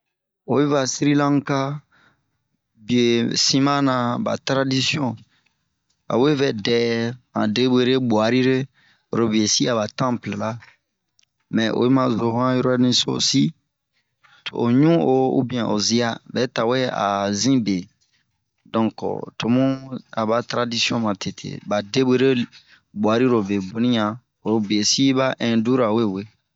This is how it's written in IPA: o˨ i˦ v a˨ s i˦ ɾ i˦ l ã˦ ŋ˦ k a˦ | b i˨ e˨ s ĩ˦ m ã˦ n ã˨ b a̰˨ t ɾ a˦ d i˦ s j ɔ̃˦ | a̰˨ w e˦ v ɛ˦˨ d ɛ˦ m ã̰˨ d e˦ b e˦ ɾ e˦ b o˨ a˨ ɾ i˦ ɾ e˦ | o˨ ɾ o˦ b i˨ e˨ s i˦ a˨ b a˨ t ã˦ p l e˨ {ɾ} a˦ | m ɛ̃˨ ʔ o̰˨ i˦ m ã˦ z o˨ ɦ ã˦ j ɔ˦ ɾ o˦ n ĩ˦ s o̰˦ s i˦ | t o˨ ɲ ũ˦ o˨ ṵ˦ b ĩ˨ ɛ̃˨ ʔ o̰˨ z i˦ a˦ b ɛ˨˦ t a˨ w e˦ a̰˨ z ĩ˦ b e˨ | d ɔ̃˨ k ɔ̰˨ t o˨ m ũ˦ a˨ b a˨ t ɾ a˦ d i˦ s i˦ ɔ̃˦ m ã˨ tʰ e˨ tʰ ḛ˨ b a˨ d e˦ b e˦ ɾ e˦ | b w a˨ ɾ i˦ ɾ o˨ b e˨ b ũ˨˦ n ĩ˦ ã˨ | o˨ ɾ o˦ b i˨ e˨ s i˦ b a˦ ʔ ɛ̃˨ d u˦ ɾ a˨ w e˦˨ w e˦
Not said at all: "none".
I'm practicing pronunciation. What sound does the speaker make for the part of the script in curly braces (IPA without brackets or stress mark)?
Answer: l